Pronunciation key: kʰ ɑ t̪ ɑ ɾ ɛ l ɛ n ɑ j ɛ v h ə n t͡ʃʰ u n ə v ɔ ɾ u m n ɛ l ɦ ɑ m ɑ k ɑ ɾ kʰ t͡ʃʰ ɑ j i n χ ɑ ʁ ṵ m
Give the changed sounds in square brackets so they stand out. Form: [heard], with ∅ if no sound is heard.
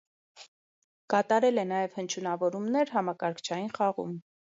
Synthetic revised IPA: [k] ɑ t̪ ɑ ɾ ɛ l ɛ n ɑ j ɛ v h ə n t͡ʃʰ u n [ɑ] v ɔ ɾ u m n ɛ [ɾ] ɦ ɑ m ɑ k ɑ ɾ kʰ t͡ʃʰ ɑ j i n χ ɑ ʁ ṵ m